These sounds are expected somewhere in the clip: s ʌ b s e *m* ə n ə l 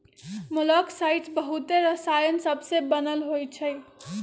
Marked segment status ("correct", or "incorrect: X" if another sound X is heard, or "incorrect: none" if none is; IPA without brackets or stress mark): incorrect: b